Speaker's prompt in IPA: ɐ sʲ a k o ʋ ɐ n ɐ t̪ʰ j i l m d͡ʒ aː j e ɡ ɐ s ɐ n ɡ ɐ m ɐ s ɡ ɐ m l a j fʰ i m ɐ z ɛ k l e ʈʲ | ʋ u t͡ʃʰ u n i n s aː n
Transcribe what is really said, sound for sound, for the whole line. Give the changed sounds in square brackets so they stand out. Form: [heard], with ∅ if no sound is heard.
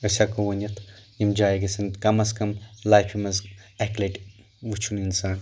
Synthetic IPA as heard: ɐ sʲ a k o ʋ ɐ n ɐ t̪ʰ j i [∅] m d͡ʒ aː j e ɡ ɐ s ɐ n [k] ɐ m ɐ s [k] ɐ m l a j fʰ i m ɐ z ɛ k l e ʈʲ | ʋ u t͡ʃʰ u n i n s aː n